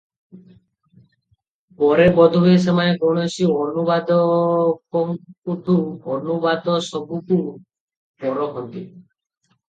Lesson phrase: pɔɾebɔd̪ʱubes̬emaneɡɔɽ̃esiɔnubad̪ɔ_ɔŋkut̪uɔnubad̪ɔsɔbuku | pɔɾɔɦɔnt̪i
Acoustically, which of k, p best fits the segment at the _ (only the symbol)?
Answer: k